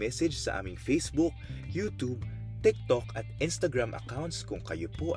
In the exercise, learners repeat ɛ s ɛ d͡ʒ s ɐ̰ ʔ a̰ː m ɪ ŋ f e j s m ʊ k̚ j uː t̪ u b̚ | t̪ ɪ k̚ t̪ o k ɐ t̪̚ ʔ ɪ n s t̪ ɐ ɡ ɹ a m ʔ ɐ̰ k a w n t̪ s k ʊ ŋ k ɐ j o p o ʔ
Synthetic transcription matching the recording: ɛ s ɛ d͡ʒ s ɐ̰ ʔ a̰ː m ɪ ŋ f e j s b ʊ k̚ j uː t̪ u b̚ | t̪ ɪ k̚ t̪ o k ɐ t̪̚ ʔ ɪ n s t̪ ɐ ɡ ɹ a m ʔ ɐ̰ k a w n t̪ s k ʊ ŋ k ɐ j o p o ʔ